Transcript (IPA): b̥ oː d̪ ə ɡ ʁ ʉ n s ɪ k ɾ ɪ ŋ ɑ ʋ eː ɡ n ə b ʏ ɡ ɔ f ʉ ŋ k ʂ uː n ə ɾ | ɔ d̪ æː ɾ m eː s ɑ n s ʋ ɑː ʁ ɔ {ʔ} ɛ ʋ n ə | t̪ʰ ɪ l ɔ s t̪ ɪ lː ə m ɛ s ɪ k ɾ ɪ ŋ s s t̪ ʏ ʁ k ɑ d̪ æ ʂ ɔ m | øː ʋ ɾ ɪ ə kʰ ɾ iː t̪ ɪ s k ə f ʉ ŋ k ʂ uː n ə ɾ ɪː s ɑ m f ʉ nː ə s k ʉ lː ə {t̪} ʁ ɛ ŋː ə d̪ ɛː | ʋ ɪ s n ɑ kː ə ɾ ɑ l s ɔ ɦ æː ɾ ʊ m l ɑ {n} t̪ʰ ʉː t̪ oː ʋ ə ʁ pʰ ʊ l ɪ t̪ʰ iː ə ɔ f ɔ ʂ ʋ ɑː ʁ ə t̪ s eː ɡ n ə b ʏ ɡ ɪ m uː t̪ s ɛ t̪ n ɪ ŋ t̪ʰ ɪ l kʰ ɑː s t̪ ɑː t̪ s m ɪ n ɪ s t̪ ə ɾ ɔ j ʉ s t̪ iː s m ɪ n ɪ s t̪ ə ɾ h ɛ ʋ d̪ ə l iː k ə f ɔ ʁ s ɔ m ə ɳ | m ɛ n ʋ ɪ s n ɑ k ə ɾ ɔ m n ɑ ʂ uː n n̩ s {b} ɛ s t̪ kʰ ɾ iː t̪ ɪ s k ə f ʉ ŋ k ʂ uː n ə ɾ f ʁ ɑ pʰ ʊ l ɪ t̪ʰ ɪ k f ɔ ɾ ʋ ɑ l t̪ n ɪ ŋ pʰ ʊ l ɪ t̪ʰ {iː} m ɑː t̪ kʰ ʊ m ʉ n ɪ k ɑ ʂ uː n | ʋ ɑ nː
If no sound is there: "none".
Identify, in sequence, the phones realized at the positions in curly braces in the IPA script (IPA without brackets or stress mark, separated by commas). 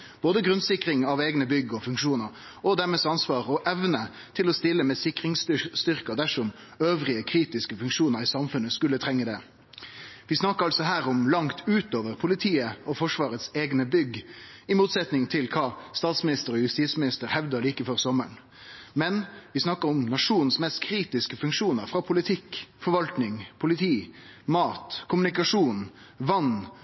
ʔ, t̪ʰ, ŋ, m, iː